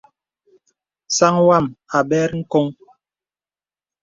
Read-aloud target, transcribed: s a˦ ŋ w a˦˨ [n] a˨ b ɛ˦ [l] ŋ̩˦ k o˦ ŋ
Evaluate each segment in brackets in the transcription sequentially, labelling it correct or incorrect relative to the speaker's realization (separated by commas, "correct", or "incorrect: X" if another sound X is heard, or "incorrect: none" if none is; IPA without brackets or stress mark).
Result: incorrect: m, incorrect: ɾ